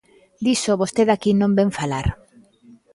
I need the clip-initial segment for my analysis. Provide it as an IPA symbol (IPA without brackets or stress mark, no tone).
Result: d̪